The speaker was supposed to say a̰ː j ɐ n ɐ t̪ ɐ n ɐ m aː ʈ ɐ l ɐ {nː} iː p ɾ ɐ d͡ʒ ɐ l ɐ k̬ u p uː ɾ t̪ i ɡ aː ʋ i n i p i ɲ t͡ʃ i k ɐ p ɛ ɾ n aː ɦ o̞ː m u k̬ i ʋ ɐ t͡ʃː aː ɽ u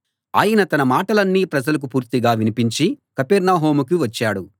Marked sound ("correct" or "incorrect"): correct